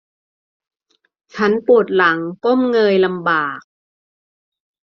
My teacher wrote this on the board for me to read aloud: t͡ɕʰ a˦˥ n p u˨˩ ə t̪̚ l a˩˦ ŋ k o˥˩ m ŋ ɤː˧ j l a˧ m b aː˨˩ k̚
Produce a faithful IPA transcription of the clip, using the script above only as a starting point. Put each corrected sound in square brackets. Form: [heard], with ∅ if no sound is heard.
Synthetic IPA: t͡ɕʰ a˦˥ n p u˨˩ ə t̪̚ l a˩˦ ŋ k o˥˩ m ŋ ɤː˧ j l a˧ m b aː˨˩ k̚